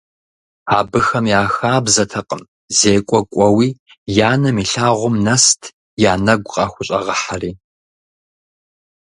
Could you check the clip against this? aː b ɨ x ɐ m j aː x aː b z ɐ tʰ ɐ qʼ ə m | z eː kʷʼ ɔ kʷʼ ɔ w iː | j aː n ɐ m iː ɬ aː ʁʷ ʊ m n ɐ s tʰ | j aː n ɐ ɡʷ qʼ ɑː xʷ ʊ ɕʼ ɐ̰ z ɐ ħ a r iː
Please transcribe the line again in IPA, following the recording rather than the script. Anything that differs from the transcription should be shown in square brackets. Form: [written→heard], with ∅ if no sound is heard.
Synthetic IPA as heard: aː b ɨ x ɐ m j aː x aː b z ɐ tʰ ɐ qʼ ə m | z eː kʷʼ ɔ kʷʼ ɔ w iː | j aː n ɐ m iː ɬ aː ʁʷ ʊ m n ɐ s tʰ | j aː n ɐ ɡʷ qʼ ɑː xʷ ʊ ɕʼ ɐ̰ [z→ʁ] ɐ ħ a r iː